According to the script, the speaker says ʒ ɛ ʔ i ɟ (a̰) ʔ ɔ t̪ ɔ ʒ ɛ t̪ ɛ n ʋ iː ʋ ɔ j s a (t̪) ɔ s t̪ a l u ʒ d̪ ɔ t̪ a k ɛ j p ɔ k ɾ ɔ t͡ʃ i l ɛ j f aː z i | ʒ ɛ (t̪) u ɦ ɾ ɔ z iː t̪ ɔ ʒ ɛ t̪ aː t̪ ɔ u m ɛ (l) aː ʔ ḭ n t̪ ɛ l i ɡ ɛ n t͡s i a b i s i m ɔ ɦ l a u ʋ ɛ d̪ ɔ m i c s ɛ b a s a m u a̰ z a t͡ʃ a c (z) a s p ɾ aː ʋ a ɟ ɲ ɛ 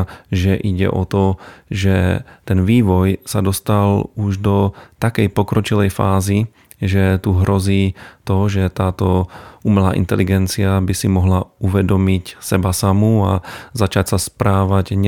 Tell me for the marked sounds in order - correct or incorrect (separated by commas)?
incorrect, incorrect, correct, correct, incorrect